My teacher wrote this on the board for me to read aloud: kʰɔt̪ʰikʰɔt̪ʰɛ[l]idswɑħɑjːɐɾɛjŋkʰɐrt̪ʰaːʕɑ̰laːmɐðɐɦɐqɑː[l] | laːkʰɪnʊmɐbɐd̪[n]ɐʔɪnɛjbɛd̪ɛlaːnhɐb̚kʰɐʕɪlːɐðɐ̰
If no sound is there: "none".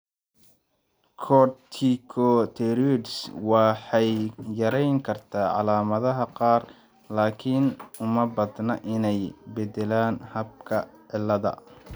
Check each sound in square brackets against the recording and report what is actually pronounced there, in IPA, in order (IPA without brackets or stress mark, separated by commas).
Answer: ɾ, r, n